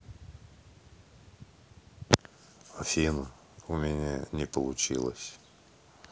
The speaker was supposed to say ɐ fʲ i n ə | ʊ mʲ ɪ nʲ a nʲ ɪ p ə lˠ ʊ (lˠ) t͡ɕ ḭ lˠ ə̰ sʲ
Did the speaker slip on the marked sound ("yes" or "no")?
yes